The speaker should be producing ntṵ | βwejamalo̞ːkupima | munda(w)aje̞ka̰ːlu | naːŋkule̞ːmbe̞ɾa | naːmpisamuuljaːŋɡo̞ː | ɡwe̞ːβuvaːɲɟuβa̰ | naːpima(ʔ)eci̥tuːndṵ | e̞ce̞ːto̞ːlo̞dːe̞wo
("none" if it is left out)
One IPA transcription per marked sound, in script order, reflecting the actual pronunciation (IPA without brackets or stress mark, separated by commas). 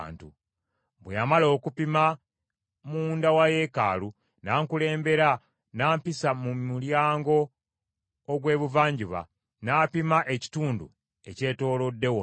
w, ʔ